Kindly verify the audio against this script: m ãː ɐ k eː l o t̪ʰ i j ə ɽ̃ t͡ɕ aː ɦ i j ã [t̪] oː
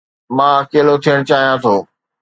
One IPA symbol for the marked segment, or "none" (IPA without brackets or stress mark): t̪ʰ